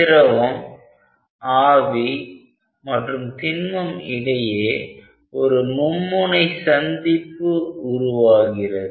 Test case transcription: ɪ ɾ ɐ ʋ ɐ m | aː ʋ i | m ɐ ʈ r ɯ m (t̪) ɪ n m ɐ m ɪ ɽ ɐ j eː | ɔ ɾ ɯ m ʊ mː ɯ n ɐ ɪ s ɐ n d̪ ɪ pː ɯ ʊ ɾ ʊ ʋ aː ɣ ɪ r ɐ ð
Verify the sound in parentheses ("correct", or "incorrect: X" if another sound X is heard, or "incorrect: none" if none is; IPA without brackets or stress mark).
correct